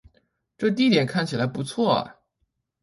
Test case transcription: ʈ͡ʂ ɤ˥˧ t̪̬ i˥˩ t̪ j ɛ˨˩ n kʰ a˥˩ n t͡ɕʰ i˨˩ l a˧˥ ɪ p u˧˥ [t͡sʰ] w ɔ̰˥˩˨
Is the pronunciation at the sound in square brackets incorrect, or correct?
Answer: correct